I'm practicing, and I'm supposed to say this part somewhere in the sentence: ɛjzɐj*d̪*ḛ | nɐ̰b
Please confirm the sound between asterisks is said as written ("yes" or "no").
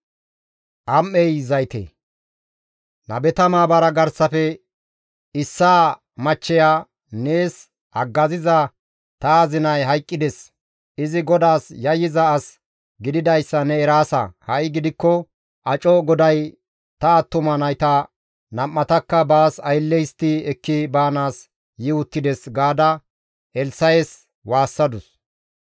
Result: no